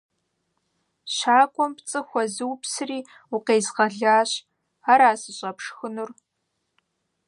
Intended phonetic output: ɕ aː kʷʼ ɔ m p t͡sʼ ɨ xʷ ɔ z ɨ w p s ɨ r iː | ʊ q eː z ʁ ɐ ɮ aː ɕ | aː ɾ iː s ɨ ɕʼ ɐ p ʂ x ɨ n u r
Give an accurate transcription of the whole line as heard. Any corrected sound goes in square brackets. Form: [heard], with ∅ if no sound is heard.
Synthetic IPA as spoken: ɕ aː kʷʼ ɔ m p t͡sʼ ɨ xʷ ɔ z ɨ w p s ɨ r iː | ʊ q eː z ʁ ɐ ɮ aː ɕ | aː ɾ [aː] s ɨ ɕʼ ɐ p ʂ x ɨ n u r